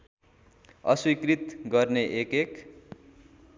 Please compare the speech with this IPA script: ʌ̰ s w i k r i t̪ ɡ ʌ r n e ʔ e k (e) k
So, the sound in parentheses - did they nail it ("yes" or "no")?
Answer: yes